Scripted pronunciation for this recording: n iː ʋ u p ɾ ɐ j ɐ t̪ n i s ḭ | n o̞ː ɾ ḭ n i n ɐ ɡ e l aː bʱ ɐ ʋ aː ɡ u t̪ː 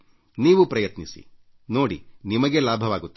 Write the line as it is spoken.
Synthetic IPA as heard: n iː ʋ u p ɾ ɐ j ɐ t̪ n i s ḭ | n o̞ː ɽ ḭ n i m ɐ ɡ e l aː bʱ ɐ ʋ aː ɡ u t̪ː